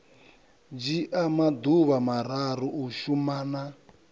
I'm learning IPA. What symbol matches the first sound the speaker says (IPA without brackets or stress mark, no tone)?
d͡ʒ